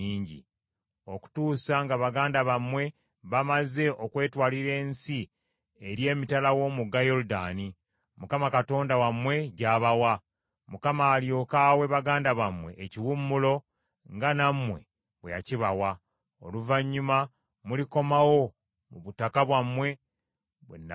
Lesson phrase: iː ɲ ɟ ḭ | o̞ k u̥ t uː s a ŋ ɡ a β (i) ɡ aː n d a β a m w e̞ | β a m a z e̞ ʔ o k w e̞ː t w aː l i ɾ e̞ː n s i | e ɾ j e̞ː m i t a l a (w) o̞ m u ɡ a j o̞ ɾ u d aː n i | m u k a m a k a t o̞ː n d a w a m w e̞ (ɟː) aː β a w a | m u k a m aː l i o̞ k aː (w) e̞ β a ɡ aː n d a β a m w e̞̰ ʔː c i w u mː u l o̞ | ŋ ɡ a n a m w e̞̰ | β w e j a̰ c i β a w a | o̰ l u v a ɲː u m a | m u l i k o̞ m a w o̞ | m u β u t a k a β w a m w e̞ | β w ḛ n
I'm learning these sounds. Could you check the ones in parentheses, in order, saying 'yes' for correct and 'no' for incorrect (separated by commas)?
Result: no, yes, no, yes